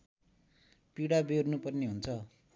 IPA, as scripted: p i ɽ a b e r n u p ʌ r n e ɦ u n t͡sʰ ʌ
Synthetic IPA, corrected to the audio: p i ɽ a b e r n u p ʌ r n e ɦ u n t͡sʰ ʌ